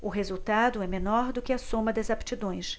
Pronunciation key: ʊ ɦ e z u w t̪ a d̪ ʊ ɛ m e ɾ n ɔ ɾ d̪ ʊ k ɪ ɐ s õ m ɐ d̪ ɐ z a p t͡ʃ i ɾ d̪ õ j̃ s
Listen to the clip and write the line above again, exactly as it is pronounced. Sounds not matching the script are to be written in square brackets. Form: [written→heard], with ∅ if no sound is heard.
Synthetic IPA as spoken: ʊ ɦ e z u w t̪ a d̪ ʊ ɛ m e [ɾ→∅] n ɔ ɾ d̪ ʊ k ɪ ɐ s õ m ɐ d̪ ɐ z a p t͡ʃ i [ɾ→∅] d̪ õ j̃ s